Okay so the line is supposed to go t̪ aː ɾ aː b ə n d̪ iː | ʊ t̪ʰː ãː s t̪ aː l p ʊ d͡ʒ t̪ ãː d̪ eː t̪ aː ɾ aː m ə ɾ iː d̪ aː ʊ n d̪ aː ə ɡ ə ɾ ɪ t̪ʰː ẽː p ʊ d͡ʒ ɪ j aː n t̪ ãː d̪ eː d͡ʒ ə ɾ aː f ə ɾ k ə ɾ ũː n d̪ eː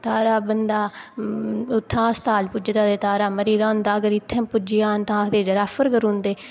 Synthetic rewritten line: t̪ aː ɾ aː b ə n d̪ aː | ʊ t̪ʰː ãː s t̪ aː l p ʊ d͡ʒ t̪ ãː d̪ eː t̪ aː ɾ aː m ə ɾ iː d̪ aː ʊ n d̪ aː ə ɡ ə ɾ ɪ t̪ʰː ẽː p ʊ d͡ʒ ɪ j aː n t̪ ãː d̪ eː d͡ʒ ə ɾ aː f ə ɾ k ə ɾ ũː n d̪ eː